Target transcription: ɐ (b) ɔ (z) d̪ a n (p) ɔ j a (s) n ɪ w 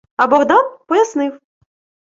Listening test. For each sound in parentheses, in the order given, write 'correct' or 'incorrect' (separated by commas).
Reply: correct, incorrect, correct, correct